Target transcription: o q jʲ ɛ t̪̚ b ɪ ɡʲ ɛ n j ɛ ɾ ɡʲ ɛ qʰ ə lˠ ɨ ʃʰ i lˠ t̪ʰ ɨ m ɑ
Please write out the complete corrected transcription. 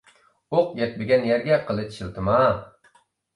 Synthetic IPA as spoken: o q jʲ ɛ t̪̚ b ɪ ɡʲ ɛ n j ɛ ɾ ɡʲ ɛ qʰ ə lˠ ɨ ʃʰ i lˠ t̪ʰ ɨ m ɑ